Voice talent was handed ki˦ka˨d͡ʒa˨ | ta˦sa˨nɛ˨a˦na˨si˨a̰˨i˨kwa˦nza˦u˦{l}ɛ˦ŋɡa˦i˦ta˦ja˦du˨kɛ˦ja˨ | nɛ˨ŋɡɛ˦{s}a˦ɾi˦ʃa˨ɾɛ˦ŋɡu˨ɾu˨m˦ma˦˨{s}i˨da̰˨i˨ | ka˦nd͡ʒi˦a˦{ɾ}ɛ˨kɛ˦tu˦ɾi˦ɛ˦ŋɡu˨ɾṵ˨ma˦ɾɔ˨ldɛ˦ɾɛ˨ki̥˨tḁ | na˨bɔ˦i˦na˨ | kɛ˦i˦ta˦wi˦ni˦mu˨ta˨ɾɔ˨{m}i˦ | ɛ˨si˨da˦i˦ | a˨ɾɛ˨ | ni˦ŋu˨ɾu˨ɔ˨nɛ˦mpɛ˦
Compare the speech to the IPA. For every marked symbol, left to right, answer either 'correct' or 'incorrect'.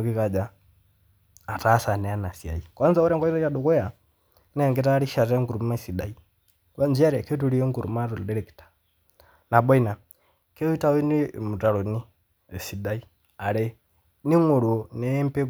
incorrect, incorrect, correct, correct, incorrect

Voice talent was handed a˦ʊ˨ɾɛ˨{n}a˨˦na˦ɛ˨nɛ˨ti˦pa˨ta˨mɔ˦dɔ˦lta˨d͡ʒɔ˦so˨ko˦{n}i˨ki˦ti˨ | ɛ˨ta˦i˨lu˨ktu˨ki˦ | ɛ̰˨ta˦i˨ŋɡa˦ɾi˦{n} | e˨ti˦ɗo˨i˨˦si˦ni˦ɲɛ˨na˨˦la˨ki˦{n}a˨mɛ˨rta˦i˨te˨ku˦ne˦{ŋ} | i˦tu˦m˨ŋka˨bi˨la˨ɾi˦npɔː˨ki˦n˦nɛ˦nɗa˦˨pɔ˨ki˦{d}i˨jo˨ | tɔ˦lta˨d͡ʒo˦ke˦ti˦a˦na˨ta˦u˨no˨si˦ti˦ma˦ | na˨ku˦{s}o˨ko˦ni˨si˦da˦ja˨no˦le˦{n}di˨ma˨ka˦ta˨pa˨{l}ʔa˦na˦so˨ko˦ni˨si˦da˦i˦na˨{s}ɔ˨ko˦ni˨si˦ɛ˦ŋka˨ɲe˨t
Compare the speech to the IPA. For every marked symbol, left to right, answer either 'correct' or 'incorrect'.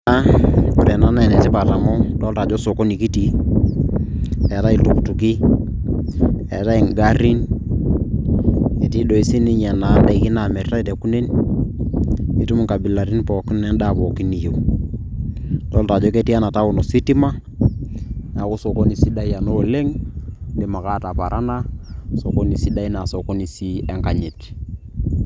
correct, correct, correct, correct, incorrect, incorrect, correct, incorrect, incorrect, correct

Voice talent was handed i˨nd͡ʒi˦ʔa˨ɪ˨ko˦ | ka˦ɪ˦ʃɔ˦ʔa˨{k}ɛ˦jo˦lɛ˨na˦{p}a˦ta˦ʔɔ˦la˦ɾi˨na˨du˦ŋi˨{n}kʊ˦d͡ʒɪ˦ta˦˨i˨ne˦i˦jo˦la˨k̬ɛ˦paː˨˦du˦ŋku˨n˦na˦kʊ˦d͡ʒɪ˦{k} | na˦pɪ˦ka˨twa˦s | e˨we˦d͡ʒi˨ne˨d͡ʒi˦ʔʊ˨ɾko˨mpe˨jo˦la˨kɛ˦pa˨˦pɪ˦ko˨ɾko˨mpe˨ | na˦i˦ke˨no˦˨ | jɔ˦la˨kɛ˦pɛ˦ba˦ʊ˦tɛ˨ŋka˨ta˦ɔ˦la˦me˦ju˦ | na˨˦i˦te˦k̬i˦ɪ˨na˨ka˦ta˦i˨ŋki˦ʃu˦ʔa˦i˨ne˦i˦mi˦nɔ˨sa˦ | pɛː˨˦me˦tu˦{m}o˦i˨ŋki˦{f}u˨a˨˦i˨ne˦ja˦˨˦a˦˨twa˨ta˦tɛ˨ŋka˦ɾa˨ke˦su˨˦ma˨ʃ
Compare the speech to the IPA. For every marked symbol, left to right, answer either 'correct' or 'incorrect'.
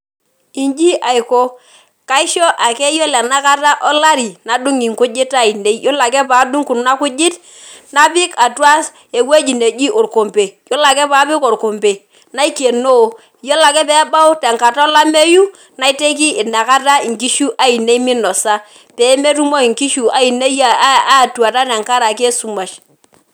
correct, incorrect, incorrect, incorrect, correct, incorrect

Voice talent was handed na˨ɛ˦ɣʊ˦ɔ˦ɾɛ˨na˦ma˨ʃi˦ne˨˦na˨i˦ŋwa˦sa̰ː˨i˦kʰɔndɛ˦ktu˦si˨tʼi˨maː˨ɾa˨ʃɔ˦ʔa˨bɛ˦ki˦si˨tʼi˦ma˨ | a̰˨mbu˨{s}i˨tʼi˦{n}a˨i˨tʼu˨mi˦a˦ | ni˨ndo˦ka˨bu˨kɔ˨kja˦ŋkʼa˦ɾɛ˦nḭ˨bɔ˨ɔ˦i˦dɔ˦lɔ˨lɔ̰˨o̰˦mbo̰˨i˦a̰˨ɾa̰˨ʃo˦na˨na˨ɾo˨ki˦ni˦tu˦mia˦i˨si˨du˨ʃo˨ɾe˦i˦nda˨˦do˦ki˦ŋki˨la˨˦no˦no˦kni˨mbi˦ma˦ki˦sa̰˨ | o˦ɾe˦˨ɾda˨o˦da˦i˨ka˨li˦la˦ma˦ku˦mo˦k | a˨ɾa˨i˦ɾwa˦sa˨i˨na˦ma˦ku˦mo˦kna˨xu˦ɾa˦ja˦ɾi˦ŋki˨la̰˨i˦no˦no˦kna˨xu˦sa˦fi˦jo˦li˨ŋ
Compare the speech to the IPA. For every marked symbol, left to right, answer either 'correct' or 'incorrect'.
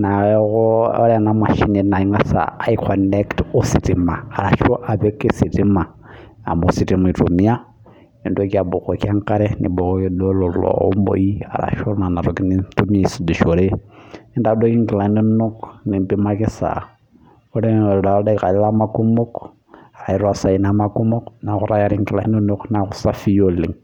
correct, incorrect

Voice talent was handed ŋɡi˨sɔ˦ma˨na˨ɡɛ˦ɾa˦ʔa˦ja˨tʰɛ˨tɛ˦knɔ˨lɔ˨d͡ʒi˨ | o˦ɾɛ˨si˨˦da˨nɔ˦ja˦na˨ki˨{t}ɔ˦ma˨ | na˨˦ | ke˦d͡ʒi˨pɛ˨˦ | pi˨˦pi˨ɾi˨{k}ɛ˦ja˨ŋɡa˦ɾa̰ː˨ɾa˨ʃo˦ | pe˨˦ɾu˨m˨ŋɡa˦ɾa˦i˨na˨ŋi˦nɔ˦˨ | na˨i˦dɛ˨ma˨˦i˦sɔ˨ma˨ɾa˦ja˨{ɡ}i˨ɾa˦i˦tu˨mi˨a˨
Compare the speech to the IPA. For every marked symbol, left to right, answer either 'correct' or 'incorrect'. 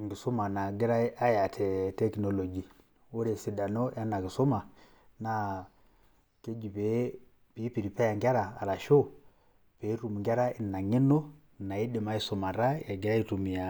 incorrect, incorrect, correct

